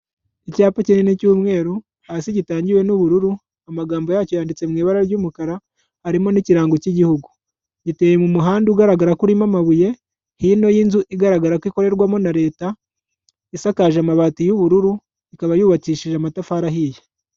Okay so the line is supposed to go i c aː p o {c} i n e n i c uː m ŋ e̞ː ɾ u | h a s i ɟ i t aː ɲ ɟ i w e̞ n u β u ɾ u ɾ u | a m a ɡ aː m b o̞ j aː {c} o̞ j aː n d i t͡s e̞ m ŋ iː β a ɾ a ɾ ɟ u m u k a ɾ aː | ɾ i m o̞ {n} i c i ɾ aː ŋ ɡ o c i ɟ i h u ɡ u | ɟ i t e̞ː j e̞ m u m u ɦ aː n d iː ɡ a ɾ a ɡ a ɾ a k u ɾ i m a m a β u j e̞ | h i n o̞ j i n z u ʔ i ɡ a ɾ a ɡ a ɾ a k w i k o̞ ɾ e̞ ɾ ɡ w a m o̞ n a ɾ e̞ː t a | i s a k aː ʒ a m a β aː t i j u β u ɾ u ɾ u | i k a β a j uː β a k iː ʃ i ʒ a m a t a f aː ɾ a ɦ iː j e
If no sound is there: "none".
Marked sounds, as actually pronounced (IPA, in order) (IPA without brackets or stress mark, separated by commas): c, c, n